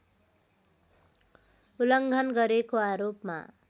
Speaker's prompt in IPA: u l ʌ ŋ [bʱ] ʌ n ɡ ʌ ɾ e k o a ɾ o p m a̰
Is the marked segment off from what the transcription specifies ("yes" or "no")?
yes